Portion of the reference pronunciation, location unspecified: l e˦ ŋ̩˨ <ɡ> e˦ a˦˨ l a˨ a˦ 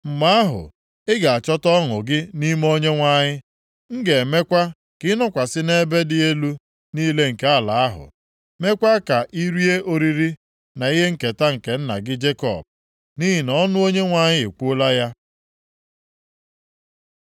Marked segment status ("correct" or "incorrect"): incorrect